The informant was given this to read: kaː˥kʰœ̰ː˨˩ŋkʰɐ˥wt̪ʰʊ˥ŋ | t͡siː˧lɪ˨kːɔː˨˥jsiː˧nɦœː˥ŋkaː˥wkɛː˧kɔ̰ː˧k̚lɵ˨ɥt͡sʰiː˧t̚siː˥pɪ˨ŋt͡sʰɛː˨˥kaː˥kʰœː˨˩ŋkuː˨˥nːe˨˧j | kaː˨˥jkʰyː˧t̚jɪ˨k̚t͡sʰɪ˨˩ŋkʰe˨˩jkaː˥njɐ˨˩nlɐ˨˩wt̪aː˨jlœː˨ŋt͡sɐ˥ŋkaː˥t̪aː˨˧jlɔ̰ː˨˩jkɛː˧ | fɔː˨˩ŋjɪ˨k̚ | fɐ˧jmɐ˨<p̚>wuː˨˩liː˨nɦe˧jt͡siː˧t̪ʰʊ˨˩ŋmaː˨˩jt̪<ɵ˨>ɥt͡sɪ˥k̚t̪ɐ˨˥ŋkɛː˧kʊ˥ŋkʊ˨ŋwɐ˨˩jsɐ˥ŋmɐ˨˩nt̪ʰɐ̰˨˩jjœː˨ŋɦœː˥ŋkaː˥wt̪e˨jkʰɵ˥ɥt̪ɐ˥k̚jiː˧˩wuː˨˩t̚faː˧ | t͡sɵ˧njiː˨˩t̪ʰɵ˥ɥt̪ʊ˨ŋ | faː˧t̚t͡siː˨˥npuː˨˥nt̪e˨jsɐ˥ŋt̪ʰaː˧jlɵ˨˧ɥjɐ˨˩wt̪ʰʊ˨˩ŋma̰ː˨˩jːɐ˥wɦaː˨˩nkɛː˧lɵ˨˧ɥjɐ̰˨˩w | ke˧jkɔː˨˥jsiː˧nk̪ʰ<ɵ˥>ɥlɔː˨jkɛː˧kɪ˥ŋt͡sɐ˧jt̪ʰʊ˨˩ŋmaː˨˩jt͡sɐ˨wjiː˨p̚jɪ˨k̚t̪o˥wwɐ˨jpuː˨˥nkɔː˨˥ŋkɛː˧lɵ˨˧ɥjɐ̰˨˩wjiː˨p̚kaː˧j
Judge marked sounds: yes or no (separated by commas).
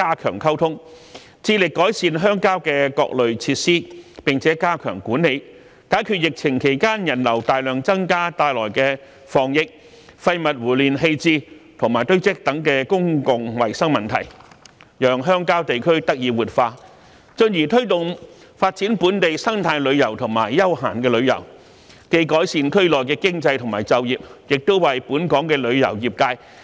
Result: no, no, yes